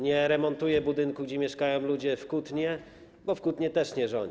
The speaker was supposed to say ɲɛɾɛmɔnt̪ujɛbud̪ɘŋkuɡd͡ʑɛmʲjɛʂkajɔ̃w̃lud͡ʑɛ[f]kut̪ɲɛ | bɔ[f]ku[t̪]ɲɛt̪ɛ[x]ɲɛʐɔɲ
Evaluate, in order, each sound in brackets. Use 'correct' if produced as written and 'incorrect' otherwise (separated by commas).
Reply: correct, correct, correct, incorrect